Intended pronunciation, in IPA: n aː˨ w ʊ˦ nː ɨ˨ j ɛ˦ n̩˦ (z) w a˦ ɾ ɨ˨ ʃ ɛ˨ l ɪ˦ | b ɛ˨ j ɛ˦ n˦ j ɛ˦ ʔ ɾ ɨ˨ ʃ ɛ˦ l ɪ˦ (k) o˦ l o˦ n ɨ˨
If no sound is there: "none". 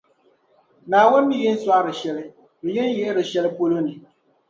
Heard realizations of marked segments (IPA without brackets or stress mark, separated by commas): s, p